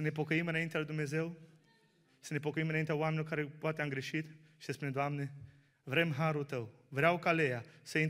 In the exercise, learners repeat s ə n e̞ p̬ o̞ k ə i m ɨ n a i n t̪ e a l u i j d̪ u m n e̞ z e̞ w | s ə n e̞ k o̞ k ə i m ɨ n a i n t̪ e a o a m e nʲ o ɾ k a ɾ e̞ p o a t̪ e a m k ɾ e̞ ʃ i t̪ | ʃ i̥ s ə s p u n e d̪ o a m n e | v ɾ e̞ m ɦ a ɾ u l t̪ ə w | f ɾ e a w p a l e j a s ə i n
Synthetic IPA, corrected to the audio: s ə n e̞ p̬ o̞ k ə i m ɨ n a i n t̪ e a l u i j d̪ u m n e̞ z e̞ w | s ə n e̞ p o̞ k ə i m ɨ n a i n t̪ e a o a m e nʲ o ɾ k a ɾ e̞ p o a t̪ e a m ɡ ɾ e̞ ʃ i t̪ | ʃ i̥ s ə s p u n e d̪ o a m n e | v ɾ e̞ m ɦ a ɾ u l t̪ ə w | v ɾ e a w k a l e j a s ə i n